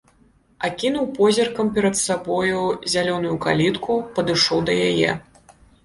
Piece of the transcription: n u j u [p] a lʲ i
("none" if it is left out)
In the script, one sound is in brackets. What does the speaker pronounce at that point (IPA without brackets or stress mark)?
k